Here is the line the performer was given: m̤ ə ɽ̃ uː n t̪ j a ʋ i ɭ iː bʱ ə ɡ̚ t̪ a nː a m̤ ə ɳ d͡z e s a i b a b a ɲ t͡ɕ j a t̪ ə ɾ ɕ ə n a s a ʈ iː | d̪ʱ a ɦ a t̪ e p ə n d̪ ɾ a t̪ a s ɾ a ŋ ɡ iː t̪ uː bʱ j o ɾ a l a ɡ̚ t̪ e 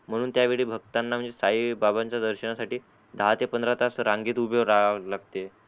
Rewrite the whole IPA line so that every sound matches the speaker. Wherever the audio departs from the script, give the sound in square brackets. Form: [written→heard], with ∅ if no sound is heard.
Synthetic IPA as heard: m̤ ə ɽ̃ uː n t̪ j a ʋ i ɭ iː bʱ ə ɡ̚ t̪ a nː a m̤ ə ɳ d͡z e s a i b a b a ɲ t͡ɕ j a [t̪→d̪] ə ɾ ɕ ə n a s a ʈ iː | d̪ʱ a ɦ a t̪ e p ə n d̪ ɾ a t̪ a s ɾ a ŋ ɡ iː t̪ [uː→u] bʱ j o ɾ a l a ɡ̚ t̪ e